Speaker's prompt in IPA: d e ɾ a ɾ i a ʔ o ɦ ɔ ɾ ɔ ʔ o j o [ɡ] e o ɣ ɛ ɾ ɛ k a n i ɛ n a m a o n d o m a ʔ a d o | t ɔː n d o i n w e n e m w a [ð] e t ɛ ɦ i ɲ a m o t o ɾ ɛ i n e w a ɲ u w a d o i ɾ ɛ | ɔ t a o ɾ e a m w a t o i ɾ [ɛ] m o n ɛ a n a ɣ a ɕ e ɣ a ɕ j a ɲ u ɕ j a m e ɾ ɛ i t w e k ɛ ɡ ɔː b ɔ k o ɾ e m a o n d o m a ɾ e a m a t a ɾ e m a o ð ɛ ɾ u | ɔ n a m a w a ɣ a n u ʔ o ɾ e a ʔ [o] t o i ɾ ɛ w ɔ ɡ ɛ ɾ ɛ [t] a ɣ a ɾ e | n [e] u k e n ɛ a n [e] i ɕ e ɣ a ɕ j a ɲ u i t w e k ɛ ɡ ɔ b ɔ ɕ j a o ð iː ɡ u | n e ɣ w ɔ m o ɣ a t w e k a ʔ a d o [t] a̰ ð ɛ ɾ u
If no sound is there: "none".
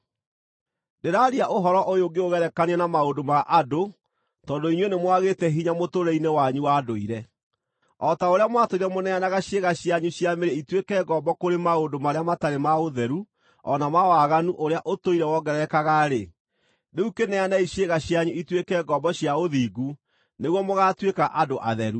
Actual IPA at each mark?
ɡ, ɣ, ɛ, o, k, e, a, ʔ

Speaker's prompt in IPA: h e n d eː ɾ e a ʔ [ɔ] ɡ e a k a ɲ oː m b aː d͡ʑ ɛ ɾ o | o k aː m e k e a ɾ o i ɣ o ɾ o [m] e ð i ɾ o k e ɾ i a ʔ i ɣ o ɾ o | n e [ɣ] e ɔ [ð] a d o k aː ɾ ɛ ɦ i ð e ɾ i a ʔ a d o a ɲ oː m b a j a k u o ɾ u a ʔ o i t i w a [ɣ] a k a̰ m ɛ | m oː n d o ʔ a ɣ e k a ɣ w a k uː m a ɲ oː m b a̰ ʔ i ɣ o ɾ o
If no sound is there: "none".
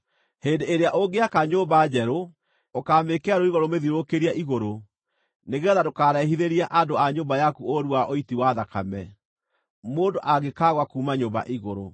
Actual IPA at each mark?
o, m, ɣ, ð, ð

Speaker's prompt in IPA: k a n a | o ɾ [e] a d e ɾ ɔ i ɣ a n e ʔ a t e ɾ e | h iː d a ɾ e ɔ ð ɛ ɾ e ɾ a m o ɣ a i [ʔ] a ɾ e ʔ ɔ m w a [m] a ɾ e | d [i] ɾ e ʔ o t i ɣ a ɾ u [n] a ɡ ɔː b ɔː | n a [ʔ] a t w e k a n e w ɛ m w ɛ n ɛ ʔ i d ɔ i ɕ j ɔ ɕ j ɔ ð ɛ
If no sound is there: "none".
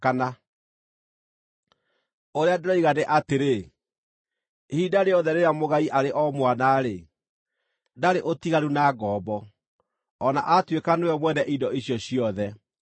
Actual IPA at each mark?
e, ʔ, n, a, n, ʔ

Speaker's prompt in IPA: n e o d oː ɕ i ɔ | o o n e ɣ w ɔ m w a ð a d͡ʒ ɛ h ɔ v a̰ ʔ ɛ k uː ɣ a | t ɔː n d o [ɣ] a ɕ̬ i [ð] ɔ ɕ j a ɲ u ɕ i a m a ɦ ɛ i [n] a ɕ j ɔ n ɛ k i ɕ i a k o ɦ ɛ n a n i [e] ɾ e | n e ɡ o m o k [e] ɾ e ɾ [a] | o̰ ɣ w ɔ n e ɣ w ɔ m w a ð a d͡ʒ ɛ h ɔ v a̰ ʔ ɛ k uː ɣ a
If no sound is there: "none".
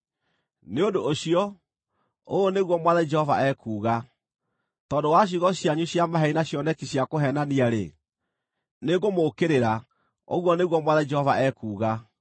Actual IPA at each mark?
w, ɣ, n, a, e, a

